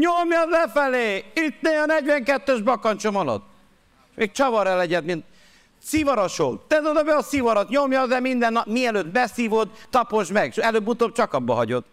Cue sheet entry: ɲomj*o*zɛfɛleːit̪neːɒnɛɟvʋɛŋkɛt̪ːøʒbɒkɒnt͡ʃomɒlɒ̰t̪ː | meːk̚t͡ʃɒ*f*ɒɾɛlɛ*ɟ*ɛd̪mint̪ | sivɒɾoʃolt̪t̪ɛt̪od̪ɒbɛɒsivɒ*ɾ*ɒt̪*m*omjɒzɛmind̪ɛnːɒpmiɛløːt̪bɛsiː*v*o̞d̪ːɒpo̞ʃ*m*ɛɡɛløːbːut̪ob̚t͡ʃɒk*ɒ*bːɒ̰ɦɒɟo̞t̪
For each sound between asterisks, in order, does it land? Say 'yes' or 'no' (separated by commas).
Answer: no, no, yes, yes, no, yes, yes, yes